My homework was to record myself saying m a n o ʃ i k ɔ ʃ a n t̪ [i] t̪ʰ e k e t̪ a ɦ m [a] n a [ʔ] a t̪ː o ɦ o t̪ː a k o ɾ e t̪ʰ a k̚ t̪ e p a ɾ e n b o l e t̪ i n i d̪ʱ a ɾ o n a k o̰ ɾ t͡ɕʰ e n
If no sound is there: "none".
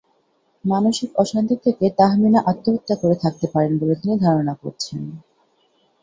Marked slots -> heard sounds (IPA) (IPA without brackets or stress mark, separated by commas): i, i, ʔ